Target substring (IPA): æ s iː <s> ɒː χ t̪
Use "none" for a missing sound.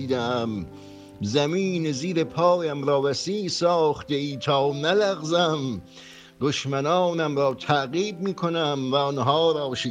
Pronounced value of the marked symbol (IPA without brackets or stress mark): s